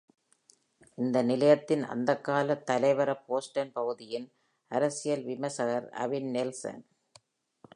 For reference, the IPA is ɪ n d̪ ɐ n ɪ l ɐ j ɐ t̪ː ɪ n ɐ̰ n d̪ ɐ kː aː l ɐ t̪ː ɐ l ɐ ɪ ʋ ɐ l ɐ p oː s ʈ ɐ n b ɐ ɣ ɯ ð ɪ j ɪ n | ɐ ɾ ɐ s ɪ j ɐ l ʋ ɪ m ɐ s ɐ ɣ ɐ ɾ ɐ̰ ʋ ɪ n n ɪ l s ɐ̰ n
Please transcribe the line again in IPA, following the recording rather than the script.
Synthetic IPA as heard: ɪ n d̪ ɐ n ɪ l ɐ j ɐ t̪ː ɪ n ɐ̰ n d̪ ɐ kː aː l ɐ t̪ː ɐ l ɐ ɪ ʋ ɐ ɾ ɐ p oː s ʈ ɐ n p ɐ ɣ ɯ ð ɪ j ɪ n | ɐ ɾ ɐ s ɪ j ɐ l ʋ ɪ m ɐ s ɐ ɣ ɐ ɾ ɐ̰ ʋ ɪ n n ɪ l s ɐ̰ n